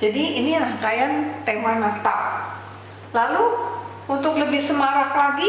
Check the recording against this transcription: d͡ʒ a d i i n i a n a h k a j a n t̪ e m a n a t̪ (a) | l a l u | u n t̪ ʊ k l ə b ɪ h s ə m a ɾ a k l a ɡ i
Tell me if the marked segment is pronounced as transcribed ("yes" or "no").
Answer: yes